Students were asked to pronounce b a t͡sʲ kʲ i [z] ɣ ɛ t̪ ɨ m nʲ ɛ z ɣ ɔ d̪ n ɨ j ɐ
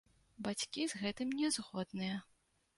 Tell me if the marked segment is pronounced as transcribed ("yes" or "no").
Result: yes